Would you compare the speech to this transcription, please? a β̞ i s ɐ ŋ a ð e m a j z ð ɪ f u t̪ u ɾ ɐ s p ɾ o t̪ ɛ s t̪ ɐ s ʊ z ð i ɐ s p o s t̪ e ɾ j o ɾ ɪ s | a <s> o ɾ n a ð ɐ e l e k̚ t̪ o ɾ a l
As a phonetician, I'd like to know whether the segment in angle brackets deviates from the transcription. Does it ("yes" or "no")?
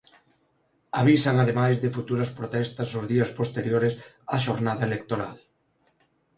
yes